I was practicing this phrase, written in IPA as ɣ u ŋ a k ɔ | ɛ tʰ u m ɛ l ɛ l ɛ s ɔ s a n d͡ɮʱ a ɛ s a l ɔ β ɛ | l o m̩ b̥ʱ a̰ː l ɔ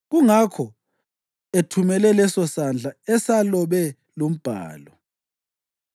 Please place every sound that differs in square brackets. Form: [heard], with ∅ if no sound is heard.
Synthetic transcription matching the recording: ɣ u ŋ a [kʰ] ɔ | [e] tʰ u m ɛ l ɛ l ɛ s ɔ s a n d͡ɮʱ a ɛ s a l ɔ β ɛ | l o m̩ b̥ʱ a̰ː l ɔ

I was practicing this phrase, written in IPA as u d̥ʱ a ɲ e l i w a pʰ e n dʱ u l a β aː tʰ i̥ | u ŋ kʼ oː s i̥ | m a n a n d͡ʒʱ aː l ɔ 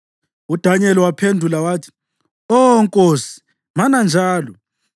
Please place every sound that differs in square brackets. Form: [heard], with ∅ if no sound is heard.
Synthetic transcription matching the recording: u d̥ʱ a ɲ [ɛ] l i w a pʰ e n dʱ u l a [w] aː tʰ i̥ | [ɔ] ŋ kʼ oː s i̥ | m a n a n d͡ʒʱ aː l ɔ

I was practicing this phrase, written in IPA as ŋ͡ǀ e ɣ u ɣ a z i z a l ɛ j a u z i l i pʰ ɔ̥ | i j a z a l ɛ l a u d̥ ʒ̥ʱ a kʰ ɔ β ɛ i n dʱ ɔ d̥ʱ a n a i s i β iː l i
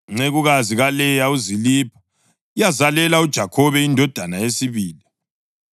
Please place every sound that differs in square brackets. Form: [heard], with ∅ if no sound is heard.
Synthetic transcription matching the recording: ŋ͡ǀ e ɣ u ɣ a z i [ɣ] a l ɛ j a u z i l i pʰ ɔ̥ | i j a z a l ɛ l a u d̥ ʒ̥ʱ a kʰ ɔ β ɛ i n dʱ ɔ d̥ʱ a n a [e] s i β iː l i

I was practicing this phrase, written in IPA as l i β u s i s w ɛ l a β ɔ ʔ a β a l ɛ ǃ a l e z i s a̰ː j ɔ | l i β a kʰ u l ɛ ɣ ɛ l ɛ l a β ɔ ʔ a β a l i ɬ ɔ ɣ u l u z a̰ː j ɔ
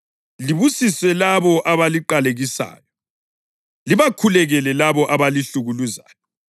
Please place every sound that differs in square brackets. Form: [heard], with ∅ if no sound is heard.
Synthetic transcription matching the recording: l i β u s i s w ɛ l a β ɔ ʔ a β a l [i] ǃ a l e [ɣ] i s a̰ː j ɔ | l i β a kʰ u l ɛ ɣ ɛ l ɛ l a β ɔ ʔ a β a l i ɬ [u] ɣ u l u z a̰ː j ɔ

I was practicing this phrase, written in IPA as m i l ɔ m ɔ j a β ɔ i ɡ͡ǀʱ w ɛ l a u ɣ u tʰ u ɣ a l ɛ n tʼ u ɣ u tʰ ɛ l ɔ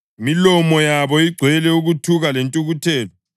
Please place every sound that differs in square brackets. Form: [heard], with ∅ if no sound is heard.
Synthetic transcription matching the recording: m i l ɔ m ɔ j a β ɔ i ɡ͡ǀʱ w ɛ l [ɛ] u ɣ u tʰ u ɣ a l [e] n tʼ u ɣ u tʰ [ɛː] l ɔ

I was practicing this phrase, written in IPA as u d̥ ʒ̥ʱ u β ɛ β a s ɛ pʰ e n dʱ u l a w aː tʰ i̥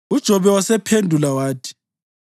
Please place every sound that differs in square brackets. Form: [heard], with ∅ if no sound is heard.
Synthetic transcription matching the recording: u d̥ ʒ̥ʱ [ɔ] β ɛ [w] a s ɛ pʰ e n dʱ u l a w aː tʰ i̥

